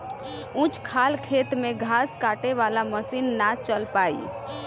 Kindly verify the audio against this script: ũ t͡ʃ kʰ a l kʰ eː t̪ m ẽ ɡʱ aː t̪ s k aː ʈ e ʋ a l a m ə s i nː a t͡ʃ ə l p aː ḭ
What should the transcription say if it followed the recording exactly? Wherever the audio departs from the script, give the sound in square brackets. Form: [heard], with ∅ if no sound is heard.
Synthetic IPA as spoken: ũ t͡ʃ kʰ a l kʰ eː t̪ m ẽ ɡʱ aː [∅] s k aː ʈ e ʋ a l a m ə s i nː a t͡ʃ ə l p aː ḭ